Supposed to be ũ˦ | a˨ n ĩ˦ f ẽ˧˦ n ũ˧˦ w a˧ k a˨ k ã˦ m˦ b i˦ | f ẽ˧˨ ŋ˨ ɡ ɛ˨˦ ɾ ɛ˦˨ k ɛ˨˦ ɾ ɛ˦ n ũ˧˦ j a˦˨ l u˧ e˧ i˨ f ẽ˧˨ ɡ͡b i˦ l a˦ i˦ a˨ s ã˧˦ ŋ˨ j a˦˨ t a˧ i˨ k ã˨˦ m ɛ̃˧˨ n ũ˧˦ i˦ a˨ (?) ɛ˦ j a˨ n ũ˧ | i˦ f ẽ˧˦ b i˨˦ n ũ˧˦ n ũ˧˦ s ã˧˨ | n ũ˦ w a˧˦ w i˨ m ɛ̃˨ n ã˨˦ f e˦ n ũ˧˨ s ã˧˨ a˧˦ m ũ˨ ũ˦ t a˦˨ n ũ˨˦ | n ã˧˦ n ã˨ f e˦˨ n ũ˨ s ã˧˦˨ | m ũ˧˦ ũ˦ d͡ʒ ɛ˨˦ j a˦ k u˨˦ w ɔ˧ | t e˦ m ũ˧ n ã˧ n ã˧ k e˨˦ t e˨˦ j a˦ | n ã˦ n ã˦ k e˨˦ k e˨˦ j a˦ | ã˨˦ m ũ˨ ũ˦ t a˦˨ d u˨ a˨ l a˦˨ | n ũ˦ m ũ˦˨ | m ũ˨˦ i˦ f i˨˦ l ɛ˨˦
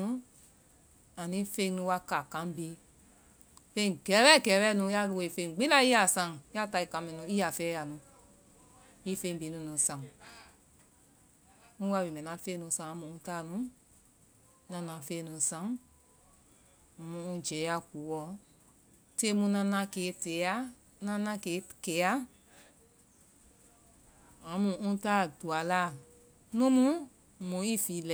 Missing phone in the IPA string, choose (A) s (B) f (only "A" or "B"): B